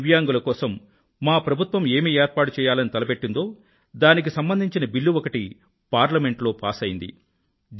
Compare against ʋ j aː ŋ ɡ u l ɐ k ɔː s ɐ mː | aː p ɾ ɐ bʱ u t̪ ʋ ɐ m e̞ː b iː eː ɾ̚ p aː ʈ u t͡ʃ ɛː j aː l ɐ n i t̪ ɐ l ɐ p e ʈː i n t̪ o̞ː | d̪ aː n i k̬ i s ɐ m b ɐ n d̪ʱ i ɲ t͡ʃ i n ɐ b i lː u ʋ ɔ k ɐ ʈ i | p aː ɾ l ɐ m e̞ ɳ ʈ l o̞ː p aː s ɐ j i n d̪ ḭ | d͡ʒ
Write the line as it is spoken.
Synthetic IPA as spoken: ʋ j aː ŋ ɡ u l ɐ k ɔː s ɐ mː | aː p ɾ ɐ bʱ u t̪ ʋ ɐ m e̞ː m iː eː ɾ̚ p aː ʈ u t͡ʃ ɛː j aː l ɐ n i t̪ ɐ l ɐ p e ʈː i n d̪ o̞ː | d̪ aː n i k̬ i s ɐ m b ɐ n d̪ʱ i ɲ t͡ʃ i n ɐ b i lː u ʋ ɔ k ɐ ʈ i | p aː ɾ l ɐ m e̞ ɳ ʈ l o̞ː p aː s ɐ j i n d̪ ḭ | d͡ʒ

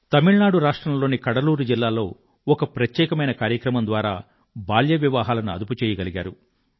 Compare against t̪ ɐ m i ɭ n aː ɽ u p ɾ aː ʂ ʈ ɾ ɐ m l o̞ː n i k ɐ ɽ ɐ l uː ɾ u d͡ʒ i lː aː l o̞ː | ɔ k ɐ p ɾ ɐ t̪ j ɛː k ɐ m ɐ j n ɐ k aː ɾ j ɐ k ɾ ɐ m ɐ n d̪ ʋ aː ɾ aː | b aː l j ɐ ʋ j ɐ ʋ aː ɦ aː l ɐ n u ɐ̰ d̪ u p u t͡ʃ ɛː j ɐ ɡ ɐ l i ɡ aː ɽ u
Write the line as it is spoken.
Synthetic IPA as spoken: t̪ ɐ m i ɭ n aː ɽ u ɾ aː ʂ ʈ ɾ ɐ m l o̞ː n i k ɐ ɽ ɐ l uː ɾ u d͡ʒ i lː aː l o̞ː | ɔ k ɐ p ɾ ɐ t̪ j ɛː k ɐ m ɐ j n ɐ k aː ɾ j ɐ k ɾ ɐ m ɐ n d̪ ʋ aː ɾ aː | b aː l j ɐ ʋ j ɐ ʋ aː ɦ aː l ɐ n u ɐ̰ d̪ u p u t͡ʃ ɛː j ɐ ɡ ɐ l i ɡ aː ɾ u

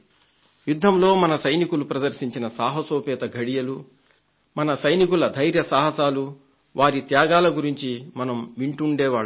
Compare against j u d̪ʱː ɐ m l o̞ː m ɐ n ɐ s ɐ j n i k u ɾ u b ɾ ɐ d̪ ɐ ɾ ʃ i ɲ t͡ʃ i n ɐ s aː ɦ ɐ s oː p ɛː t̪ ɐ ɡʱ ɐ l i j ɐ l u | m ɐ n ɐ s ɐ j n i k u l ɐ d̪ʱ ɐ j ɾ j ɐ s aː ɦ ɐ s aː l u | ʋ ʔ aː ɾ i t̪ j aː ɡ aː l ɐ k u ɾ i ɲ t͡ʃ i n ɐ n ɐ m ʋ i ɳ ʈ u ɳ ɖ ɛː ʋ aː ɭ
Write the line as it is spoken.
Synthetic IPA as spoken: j u d̪ʱː ɐ m l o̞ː m ɐ n ɐ s ɐ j n i k u l u p ɾ ɐ d̪ ɐ ɾ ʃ i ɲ t͡ʃ i n ɐ s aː ɦ ɐ s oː p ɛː t̪ ɐ ɡʱ ɐ ɽ i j ɐ l u | m ɐ n ɐ s ɐ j n i k u l ɐ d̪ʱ ɐ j ɾ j ɐ s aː ɦ ɐ s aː l u | ʋ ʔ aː ɾ i t̪ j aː ɡ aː l ɐ ɡ u ɾ i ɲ t͡ʃ i m ɐ n ɐ m ʋ i ɳ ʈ u ɳ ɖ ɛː ʋ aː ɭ

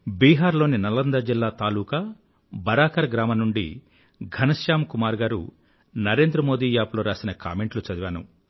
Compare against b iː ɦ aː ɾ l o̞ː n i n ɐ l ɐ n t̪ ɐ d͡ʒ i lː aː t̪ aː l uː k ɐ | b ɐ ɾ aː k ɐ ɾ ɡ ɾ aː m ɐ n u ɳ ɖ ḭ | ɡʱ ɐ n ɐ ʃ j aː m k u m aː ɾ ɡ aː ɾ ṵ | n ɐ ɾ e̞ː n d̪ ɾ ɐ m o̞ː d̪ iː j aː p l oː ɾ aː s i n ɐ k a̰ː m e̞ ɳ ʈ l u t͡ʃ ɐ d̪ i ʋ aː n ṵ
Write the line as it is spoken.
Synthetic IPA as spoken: b iː ɦ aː ɾ l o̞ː n i n ɐ l ɐ n d̪ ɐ d͡ʒ i lː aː t̪ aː l uː k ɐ | b ɐ ɾ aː k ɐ ɾ ɡ ɾ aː m ɐ n u ɳ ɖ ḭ | ɡʱ ɐ n ɐ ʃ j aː m k u m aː ɾ ɡ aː ɾ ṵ | n ɐ ɾ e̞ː n d̪ ɾ ɐ m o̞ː d̪ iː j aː p l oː ɾ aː s i n ɐ k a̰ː m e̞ ɳ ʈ l u t͡ʃ ɐ d̪ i ʋ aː n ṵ

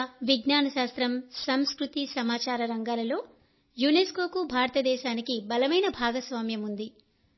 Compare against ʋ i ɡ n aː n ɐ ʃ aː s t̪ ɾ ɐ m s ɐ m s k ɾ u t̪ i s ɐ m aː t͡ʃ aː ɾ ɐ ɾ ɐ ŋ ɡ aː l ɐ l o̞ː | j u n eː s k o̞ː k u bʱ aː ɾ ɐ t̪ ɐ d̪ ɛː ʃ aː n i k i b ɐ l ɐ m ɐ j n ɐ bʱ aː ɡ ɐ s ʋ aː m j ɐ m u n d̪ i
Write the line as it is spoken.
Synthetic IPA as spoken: ʋ i ɡ n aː n ɐ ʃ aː s t̪ ɾ ɐ m s ɐ m s k ɾ u t̪ i s ɐ m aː t͡ʃ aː ɾ ɐ ɾ ɐ ŋ ɡ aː l ɐ l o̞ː | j u n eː s k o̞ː k u bʱ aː ɾ ɐ t̪ ɐ d̪ ɛː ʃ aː n i k i b ɐ l ɐ m ɐ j n ɐ bʱ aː ɡ ɐ s ʋ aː m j ɐ m u n d̪ i

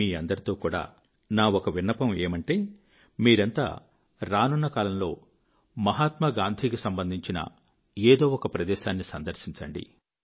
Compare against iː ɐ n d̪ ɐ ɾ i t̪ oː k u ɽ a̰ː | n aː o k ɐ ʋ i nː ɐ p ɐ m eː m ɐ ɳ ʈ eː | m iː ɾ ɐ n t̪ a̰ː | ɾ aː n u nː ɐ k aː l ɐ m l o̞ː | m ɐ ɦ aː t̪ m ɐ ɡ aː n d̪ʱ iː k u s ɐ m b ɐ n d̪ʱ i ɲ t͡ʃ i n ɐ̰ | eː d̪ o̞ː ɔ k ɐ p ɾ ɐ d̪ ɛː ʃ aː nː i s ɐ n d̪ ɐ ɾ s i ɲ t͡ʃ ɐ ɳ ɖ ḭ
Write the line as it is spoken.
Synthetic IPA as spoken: iː ɐ n d̪ ɐ ɾ i t̪ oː k uː ɽ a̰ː | n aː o k ɐ ʋ i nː ɐ p ɐ m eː m ɐ ɳ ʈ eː | m iː ɾ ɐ n t̪ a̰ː | ɾ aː n u nː ɐ k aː l ɐ m l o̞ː | m ɐ ɦ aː t̪ m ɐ ɡ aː n d̪ʱ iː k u s ɐ m b ɐ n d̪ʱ i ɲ t͡ʃ i n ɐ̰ | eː d̪ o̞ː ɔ k ɐ p ɾ ɐ d̪ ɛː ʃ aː nː i s ɐ n d̪ ɐ ɾ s i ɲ t͡ʃ ɐ ɳ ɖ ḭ

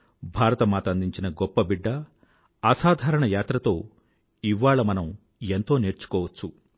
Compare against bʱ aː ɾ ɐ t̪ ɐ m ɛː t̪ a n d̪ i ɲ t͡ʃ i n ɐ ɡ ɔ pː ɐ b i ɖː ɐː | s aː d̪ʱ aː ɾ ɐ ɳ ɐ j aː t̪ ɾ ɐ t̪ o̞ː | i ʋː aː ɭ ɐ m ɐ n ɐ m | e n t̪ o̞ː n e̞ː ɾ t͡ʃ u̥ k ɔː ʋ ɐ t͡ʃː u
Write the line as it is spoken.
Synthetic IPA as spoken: bʱ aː ɾ ɐ t̪ ɐ m aː t̪ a n d̪ i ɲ t͡ʃ i n ɐ ɡ ɔ pː ɐ b i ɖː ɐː | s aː d̪ʱ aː ɾ ɐ ɳ ɐ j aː t̪ ɾ ɐ t̪ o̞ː | i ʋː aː ɭ ɐ m ɐ n ɐ m | e n t̪ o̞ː n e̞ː ɾ t͡ʃ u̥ k ɔː ʋ ɐ t͡ʃː u

